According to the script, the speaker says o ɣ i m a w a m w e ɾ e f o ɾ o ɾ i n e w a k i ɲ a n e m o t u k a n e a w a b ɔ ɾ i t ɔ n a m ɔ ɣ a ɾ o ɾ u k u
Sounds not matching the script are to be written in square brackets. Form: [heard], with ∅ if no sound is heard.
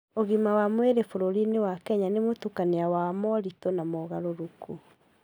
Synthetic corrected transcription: o ɣ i m a w a m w e ɾ e f o ɾ o ɾ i n e w a k [ɛ] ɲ a n e m o t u k a n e a w a [m] ɔ ɾ i t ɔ n a m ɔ ɣ a ɾ o ɾ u k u